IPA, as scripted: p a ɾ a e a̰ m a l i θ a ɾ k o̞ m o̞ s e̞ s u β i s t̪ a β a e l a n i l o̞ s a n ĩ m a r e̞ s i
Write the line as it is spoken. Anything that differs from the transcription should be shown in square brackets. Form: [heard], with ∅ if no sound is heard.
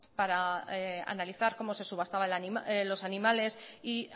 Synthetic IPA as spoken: p a ɾ a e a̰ [n] a l i θ a ɾ k o̞ m o̞ s e̞ s u β [a] s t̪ a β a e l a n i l o̞ s a n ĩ m a [l] e̞ s i

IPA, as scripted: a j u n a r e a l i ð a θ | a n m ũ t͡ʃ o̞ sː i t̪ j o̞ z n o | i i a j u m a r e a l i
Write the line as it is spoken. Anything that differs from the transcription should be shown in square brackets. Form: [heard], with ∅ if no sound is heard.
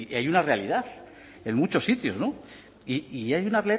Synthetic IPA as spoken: a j u n a r e a l i ð a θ | [e] n m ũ t͡ʃ o̞ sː i t̪ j o̞ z n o | i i a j u [n] a r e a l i

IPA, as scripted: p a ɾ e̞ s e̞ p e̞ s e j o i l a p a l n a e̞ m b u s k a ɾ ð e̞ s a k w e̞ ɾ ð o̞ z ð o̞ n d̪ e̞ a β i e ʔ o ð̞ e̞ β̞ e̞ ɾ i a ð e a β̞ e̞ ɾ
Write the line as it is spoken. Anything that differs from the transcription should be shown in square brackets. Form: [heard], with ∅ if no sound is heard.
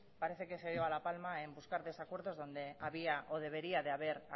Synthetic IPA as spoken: p a ɾ e̞ [θ] e̞ [k] e̞ s e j o [a] l a p a l [m] a e̞ m b u s k a ɾ ð e̞ s a k w e̞ ɾ ð o̞ z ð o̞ n d̪ e̞ a β i [a] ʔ o ð̞ e̞ β̞ e̞ ɾ i a ð e a β̞ e̞ ɾ

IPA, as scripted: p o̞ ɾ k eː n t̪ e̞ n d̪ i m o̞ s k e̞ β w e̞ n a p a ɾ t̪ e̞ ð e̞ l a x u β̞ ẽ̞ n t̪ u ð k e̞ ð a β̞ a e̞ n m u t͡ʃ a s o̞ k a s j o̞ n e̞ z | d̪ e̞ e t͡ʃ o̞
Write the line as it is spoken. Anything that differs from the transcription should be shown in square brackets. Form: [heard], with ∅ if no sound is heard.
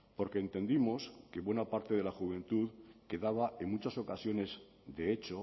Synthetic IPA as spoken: p o̞ ɾ k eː n t̪ e̞ n d̪ i m o̞ s k e̞ β w e̞ n a p a ɾ t̪ e̞ ð e̞ l a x u β̞ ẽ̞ n t̪ u ð k e̞ ð a β̞ a e̞ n m u t͡ʃ a s o̞ k a s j o̞ n e̞ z | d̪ e̞ e t͡ʃ o̞

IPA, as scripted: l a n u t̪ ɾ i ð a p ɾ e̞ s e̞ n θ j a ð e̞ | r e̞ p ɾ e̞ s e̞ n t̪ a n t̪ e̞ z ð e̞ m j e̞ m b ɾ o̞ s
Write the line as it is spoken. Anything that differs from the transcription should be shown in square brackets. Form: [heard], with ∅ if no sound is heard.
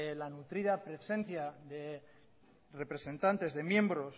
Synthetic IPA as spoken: l a n u t̪ ɾ i ð a p ɾ e̞ s e̞ n θ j a ð e̞ | r e̞ p ɾ e̞ s e̞ n t̪ a n t̪ e̞ z ð e̞ m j e̞ m b ɾ o̞ s

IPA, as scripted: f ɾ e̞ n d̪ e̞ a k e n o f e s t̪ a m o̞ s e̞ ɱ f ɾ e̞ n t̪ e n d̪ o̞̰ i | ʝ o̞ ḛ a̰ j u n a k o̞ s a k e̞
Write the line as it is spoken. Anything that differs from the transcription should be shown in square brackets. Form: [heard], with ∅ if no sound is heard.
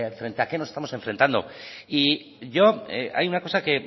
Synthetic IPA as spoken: f ɾ e̞ n [t̪] e̞ a k e n o [s] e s t̪ a m o̞ s e̞ ɱ f ɾ e̞ n t̪ [a] n d̪ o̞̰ i | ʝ o̞ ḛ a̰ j u n a k o̞ s a k e̞

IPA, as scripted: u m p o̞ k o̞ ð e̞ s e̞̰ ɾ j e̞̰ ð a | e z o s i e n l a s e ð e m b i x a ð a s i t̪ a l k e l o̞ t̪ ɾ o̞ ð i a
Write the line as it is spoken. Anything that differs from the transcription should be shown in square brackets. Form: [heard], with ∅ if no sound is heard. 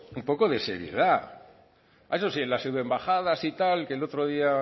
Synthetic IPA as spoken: u m p o̞ k o̞ ð e̞ s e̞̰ ɾ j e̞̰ ð a | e [s] o s i e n l a s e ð e m b [a] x a ð a s i t̪ a l k e l o̞ t̪ ɾ o̞ ð i a

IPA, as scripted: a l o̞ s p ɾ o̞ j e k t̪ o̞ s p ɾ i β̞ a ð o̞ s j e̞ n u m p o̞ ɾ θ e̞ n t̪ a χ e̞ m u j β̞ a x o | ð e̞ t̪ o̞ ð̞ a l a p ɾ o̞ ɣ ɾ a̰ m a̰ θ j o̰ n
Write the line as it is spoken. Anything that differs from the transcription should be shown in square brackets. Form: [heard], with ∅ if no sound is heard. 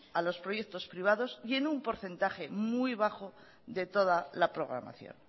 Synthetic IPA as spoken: a l o̞ s p ɾ o̞ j e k t̪ o̞ s p ɾ i β̞ a ð o̞ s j e̞ n u m p o̞ ɾ θ e̞ n t̪ a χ e̞ m u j β̞ a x o | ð e̞ t̪ o̞ ð̞ a l a p ɾ o̞ ɣ ɾ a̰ m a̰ θ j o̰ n

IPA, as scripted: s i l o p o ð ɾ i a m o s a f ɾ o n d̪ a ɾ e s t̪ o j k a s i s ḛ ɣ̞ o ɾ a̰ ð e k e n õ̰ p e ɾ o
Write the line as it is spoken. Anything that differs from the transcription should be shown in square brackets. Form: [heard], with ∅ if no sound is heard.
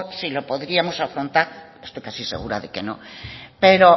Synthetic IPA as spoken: s i l o p o ð ɾ i a m o s a f ɾ o n [t̪] a ɾ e s t̪ o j k a s i s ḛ ɣ̞ [u] ɾ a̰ ð e k e n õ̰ p e ɾ o

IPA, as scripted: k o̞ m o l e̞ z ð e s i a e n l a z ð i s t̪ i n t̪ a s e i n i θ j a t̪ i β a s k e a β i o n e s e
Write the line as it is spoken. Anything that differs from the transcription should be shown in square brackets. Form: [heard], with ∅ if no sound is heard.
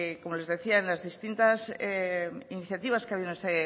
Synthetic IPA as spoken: k o̞ m o l e̞ z ð e [θ] i a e n l a z ð i s t̪ i n t̪ a s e i n i θ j a t̪ i β a s k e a β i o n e s e

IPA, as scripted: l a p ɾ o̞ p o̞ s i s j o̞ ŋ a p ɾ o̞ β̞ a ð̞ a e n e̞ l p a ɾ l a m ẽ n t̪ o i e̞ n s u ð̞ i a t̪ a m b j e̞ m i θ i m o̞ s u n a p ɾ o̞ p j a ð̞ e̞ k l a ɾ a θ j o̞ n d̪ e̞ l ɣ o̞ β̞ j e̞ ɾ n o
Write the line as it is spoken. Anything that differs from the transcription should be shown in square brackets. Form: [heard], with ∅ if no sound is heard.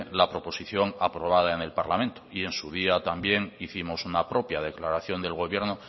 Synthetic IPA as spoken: l a p ɾ o̞ p o̞ s i [θ] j o̞ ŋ a p ɾ o̞ β̞ a ð̞ a e n e̞ l p a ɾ l a m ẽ n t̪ o i e̞ n s u ð̞ i a t̪ a m b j e̞ [ŋ] i θ i m o̞ s u n a p ɾ o̞ p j a ð̞ e̞ k l a ɾ a θ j o̞ n d̪ e̞ l ɣ o̞ β̞ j e̞ ɾ n o

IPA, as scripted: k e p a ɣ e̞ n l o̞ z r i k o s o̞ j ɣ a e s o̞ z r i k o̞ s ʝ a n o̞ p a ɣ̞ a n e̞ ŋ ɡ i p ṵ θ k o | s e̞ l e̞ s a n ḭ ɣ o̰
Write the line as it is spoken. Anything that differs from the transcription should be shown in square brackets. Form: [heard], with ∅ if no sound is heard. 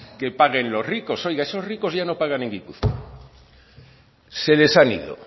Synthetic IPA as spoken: k e p a ɣ e̞ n l o̞ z r i k o s o̞ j ɣ a e s o̞ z r i k o̞ [z] ʝ a n o̞ p a ɣ̞ a n e̞ ŋ ɡ i p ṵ θ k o | s e̞ l e̞ s a n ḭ [ð] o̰

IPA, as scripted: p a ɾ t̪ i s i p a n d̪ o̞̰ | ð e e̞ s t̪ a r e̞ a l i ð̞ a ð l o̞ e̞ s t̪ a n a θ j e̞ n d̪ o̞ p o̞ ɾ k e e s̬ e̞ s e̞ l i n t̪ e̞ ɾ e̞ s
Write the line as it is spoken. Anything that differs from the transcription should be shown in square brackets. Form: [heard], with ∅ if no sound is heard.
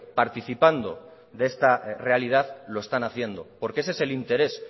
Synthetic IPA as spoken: p a ɾ t̪ i [θ] i p a n d̪ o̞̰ | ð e e̞ s t̪ a r e̞ a l i ð̞ a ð l o̞ e̞ s t̪ a n a θ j e̞ n d̪ o̞ p o̞ ɾ k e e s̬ e̞ s e̞ l i n t̪ e̞ ɾ e̞ s

